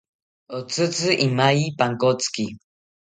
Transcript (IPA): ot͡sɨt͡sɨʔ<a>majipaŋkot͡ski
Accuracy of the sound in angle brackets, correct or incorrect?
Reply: incorrect